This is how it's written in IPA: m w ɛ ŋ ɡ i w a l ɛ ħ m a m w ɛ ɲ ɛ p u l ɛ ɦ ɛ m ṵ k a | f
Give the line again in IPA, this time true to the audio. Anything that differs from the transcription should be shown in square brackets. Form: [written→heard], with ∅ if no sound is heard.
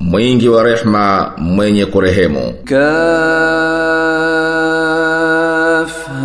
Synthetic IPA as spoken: m w [ɛ→i] ŋ ɡ i w a [l→ɾ] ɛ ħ m a m w ɛ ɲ ɛ [p→k] u [l→ɾ] ɛ ɦ ɛ m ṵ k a | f